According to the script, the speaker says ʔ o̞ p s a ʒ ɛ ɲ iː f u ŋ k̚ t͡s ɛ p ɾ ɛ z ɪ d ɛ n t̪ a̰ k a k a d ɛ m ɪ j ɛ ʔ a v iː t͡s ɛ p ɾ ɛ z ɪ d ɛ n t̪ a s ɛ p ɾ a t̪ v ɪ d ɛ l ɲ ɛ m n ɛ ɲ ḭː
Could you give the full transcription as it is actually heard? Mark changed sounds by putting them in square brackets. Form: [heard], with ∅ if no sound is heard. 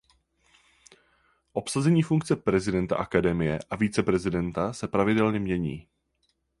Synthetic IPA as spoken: ʔ o̞ p s a [z] ɛ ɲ iː f u ŋ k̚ t͡s ɛ p ɾ ɛ z ɪ d ɛ n t̪ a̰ [ʔ] a k a d ɛ m ɪ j ɛ ʔ a v iː t͡s ɛ p ɾ ɛ z ɪ d ɛ n t̪ a s ɛ p ɾ a [∅] v ɪ d ɛ l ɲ ɛ m [ɲ] ɛ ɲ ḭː